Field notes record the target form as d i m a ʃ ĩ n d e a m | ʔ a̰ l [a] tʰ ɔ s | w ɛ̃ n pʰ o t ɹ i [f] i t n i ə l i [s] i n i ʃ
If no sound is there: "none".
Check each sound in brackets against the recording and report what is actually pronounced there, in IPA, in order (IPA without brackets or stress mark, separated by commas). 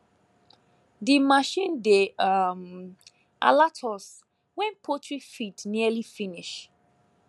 a, f, f